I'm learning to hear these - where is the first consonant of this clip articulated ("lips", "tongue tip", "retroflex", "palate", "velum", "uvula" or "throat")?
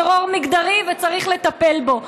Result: uvula